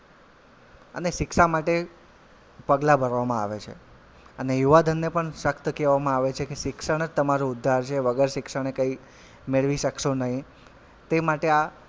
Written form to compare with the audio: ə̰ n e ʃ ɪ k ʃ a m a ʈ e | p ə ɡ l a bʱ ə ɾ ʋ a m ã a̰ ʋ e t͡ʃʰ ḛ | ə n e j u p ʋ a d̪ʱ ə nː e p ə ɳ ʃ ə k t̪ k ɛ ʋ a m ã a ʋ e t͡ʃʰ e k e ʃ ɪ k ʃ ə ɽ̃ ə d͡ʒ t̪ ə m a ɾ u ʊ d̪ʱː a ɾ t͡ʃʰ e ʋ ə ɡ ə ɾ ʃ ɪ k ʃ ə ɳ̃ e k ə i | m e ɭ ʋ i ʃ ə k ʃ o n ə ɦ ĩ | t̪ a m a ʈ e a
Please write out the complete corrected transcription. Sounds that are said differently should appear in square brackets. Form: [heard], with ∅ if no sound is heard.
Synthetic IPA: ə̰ n e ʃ ɪ k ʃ a m a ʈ e | p ə ɡ l a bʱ ə ɾ ʋ a m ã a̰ ʋ e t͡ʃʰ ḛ | ə n e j u [∅] ʋ a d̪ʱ ə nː e p ə ɳ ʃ ə k t̪ k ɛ ʋ a m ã a ʋ e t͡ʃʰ e k e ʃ ɪ k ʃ ə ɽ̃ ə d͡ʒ t̪ ə m a ɾ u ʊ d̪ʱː a ɾ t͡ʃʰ e ʋ ə ɡ ə ɾ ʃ ɪ k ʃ ə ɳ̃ e k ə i | m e ɭ ʋ i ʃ ə k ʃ o n ə ɦ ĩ | t̪ [e] m a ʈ e a